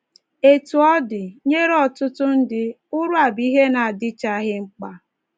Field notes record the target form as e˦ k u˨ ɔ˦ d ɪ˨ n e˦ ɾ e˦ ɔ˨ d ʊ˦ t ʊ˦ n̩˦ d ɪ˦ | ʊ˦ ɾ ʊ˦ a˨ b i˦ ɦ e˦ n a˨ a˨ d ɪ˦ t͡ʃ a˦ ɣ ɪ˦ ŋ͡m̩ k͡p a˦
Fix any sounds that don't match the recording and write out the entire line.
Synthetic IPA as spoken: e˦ t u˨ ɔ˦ d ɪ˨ ɲ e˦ ɾ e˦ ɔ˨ t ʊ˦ t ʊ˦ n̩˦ d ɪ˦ | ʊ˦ ɾ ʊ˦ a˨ b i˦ ɦ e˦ n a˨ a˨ d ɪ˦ t͡ʃ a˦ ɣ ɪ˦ ŋ͡m̩ k͡p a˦